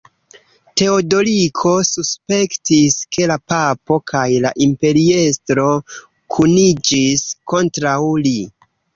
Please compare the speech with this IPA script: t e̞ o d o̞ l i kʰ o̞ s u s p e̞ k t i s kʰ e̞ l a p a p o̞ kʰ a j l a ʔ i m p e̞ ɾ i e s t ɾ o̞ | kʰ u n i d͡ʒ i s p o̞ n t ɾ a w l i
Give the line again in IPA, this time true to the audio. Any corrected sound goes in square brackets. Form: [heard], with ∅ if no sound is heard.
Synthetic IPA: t e̞ o d o̞ l i kʰ o̞ s u s p e̞ k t i s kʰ e̞ l a p a p o̞ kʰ a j l a ʔ i m p e̞ ɾ i e s t ɾ o̞ | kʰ u n i d͡ʒ i s [k] o̞ n t ɾ a w l i